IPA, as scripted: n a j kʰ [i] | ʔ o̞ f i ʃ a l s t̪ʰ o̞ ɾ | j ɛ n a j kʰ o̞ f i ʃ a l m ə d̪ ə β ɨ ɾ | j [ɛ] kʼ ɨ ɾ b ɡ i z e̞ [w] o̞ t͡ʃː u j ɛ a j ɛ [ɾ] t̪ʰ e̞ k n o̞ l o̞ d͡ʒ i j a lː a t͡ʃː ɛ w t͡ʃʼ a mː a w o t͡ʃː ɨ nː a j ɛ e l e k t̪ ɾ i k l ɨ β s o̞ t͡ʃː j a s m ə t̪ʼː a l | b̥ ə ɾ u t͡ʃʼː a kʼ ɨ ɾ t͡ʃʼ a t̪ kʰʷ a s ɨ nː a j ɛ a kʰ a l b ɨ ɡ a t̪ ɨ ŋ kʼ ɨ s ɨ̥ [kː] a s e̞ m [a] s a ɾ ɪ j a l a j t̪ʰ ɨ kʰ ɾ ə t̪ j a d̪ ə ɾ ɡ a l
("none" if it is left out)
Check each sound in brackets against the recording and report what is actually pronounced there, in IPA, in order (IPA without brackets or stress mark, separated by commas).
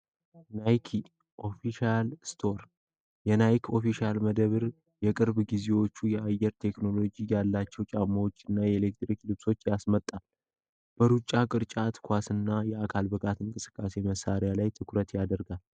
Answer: i, ɛ, w, ɾ, kʼː, ə